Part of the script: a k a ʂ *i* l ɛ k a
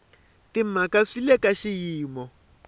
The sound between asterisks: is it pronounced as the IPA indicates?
yes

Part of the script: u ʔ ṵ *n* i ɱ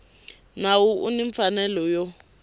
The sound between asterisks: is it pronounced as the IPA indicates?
yes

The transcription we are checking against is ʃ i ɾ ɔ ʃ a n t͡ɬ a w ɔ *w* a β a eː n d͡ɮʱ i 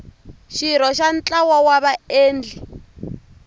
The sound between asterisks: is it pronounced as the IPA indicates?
yes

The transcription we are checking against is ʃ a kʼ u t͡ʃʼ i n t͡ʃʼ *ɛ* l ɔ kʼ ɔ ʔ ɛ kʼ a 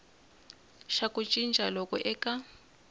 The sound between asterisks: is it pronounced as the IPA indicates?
no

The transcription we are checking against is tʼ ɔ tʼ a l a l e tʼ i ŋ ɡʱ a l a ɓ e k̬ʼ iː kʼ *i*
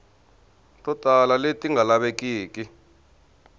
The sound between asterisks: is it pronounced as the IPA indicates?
yes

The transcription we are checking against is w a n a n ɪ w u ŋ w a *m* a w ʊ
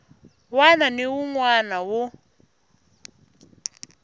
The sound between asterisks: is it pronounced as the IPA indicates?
no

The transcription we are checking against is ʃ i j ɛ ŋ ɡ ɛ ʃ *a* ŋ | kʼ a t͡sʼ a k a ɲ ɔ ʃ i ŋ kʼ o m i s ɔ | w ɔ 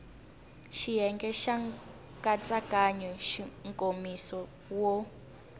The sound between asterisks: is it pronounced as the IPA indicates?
yes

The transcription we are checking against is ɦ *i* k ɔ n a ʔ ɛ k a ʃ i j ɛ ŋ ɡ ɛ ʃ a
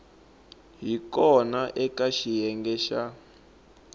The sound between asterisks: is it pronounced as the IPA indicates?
yes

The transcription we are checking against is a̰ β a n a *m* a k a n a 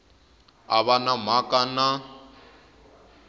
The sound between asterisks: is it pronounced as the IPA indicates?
yes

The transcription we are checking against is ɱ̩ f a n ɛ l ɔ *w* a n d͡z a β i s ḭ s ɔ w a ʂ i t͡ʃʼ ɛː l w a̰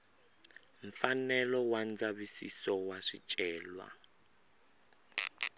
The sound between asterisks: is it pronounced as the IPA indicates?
yes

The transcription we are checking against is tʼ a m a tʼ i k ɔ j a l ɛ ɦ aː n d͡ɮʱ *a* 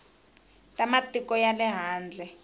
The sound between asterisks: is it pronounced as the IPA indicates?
no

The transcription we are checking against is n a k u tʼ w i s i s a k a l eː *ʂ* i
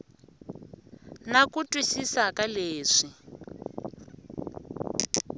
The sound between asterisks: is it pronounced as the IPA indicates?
yes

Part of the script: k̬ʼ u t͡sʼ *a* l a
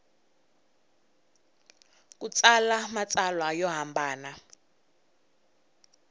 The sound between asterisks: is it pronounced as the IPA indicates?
yes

